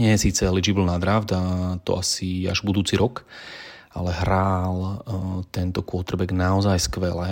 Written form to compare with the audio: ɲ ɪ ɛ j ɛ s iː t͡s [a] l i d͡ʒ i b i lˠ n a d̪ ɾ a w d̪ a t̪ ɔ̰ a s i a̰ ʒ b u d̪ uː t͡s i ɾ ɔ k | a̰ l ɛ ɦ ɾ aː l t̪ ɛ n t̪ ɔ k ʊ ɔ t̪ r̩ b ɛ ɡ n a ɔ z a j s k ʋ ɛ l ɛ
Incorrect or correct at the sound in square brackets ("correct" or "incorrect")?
incorrect